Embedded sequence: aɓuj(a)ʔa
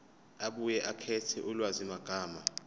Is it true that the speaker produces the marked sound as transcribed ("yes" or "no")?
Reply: no